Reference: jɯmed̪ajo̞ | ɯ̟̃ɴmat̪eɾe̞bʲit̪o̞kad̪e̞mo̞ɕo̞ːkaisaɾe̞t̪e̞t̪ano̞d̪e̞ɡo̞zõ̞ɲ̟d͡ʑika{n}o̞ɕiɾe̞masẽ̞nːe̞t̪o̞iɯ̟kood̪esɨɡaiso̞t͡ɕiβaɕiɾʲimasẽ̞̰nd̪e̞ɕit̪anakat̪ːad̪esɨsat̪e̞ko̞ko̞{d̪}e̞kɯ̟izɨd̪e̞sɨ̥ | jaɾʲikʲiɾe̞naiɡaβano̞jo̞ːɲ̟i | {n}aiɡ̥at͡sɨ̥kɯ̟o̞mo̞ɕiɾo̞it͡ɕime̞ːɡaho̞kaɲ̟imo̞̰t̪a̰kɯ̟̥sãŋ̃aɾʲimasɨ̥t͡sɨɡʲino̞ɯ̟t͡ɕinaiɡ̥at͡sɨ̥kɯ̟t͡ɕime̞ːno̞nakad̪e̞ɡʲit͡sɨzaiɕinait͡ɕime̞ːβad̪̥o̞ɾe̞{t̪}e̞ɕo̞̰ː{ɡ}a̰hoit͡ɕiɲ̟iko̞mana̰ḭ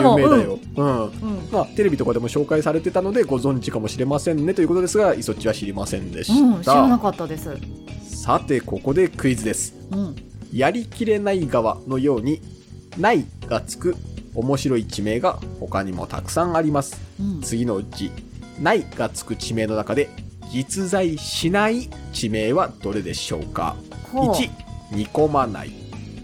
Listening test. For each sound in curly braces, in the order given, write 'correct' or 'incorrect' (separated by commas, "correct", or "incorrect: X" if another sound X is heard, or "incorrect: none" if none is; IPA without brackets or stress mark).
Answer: incorrect: m, correct, correct, incorrect: d̪, incorrect: k